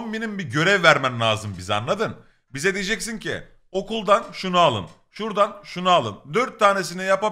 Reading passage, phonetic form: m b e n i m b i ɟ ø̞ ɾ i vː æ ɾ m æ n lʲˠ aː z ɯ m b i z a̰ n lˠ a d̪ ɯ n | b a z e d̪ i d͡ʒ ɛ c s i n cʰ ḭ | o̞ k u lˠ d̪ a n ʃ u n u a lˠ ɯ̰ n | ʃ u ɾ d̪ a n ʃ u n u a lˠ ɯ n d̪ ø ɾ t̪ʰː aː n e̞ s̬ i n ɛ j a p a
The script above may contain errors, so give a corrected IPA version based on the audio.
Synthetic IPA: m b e n i m b i ɟ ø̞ ɾ ɛ vː æ ɾ m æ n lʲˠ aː z ɯ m b i z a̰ n lˠ a d̪ ɯ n | b i z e d̪ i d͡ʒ ɛ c s i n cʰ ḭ | o̞ k u lˠ d̪ a n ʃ u n u a lˠ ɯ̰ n | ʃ u ɾ d̪ a n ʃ u n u a lˠ ɯ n d̪ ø ɾ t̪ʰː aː n e̞ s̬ i n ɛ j a p a